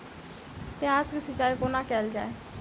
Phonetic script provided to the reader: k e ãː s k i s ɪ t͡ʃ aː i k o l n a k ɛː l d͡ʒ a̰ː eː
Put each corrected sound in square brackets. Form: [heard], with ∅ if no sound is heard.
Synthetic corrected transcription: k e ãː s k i s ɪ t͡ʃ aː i k o [∅] n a k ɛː l d͡ʒ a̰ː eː